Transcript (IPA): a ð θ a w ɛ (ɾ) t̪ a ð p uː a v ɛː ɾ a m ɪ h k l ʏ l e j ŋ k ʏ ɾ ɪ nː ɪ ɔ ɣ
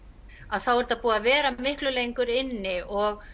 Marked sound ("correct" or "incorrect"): correct